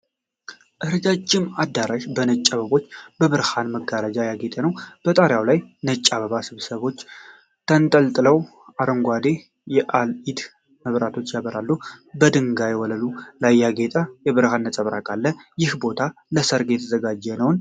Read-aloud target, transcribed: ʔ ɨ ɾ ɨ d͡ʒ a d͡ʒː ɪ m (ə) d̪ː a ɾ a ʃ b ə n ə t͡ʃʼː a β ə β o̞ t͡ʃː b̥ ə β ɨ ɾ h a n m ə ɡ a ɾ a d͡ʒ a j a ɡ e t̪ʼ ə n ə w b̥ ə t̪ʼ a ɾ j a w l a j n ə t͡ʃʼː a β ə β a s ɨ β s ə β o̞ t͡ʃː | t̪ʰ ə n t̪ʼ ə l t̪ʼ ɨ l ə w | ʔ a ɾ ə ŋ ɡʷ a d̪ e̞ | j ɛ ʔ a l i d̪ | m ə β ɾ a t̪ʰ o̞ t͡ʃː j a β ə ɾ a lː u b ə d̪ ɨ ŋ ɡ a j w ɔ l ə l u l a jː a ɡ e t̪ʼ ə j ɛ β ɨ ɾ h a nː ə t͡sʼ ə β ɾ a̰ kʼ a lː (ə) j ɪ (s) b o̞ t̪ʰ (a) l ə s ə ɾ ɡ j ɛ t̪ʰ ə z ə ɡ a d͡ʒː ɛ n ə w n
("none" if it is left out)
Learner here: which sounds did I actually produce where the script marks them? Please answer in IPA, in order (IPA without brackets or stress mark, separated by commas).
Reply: a, ə, h, a